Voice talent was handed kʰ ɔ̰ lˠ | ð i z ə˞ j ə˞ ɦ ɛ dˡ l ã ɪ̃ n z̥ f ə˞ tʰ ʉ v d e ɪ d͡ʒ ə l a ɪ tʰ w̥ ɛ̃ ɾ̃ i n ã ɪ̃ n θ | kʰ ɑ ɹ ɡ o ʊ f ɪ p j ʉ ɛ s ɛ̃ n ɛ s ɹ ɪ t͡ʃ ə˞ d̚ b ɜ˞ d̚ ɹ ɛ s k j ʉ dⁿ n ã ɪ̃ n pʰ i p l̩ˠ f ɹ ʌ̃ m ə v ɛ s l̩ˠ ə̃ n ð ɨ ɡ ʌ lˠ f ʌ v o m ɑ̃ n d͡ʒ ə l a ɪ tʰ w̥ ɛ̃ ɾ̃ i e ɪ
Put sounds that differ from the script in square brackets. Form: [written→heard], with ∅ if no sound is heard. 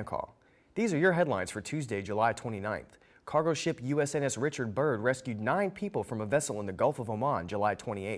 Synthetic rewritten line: kʰ ɔ̰ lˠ | ð i z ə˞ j ə˞ ɦ ɛ dˡ l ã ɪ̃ n z̥ f ə˞ tʰ ʉ [v→z] d e ɪ d͡ʒ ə l a ɪ tʰ w̥ ɛ̃ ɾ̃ i n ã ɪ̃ n θ | kʰ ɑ ɹ ɡ o ʊ [f→ʃ] ɪ p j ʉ ɛ s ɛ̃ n ɛ s ɹ ɪ t͡ʃ ə˞ d̚ b ɜ˞ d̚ ɹ ɛ s k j ʉ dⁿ n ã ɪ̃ n pʰ i p l̩ˠ f ɹ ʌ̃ m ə v ɛ s l̩ˠ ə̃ n ð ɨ ɡ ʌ lˠ f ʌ v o m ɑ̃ n d͡ʒ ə l a ɪ tʰ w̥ ɛ̃ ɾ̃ i e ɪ